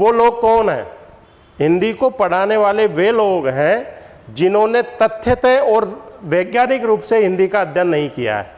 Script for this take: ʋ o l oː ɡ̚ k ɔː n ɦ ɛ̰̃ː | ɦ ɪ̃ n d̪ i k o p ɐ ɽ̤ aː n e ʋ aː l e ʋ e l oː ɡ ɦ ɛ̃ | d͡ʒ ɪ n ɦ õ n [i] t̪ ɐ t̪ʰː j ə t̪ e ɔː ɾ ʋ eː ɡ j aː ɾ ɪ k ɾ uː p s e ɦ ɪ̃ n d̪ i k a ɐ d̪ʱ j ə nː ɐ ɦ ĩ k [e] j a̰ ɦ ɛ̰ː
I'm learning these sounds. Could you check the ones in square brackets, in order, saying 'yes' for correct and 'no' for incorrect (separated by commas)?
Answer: no, no